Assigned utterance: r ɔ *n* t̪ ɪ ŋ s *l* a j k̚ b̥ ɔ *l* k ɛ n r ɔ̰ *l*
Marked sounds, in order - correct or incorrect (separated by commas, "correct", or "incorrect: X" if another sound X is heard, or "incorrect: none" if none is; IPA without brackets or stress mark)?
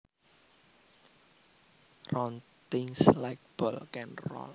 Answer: correct, correct, correct, correct